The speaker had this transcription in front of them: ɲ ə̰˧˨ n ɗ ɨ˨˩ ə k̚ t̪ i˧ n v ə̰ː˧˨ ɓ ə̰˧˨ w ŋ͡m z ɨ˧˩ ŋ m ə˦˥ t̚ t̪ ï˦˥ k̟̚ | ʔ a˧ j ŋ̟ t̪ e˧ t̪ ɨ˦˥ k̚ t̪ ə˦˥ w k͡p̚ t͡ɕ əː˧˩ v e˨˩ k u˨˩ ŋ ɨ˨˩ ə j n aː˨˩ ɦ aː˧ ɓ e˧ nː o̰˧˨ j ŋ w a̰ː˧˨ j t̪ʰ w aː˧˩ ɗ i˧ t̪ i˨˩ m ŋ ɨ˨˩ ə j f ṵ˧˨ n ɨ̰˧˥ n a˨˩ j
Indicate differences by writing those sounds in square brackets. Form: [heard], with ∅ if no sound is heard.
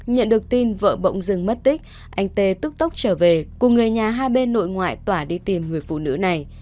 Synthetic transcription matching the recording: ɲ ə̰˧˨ n ɗ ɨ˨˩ ə k̚ t̪ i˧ n v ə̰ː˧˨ ɓ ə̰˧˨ w ŋ͡m z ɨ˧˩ ŋ m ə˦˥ t̚ t̪ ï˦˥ k̟̚ | ʔ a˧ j ŋ̟ t̪ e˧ t̪ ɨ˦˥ k̚ t̪ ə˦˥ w k͡p̚ t͡ɕ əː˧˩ v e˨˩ k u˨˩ ŋ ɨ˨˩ ə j [ɲ] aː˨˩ ɦ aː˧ ɓ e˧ nː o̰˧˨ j ŋ w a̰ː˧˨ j [t̪] w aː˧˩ ɗ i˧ t̪ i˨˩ m ŋ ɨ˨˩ ə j f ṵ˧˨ n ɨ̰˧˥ n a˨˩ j